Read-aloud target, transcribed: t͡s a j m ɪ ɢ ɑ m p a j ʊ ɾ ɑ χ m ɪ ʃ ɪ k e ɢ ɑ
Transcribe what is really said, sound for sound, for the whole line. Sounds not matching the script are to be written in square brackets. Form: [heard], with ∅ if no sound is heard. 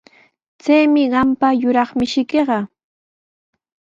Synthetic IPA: t͡s a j m ɪ ɢ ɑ m p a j ʊ ɾ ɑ χ m ɪ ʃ ɪ k e ɢ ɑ